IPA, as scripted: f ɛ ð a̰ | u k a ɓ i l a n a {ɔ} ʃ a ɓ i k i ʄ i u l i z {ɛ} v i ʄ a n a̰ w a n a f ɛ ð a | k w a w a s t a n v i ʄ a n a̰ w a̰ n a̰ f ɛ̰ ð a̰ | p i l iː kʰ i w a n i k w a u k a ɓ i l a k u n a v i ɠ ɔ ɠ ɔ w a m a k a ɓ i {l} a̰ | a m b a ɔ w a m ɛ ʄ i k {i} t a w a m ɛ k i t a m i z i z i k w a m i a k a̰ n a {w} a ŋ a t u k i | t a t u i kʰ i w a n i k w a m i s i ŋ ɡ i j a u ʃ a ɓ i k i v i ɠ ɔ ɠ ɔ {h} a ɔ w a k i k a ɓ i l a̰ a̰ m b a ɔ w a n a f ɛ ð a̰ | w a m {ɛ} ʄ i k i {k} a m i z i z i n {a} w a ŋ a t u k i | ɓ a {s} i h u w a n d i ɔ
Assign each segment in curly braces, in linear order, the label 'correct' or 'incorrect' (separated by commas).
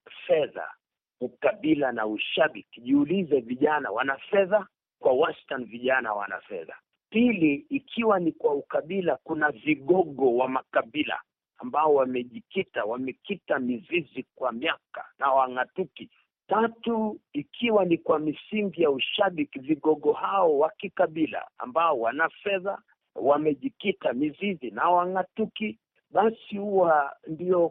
incorrect, correct, correct, correct, correct, correct, correct, incorrect, correct, correct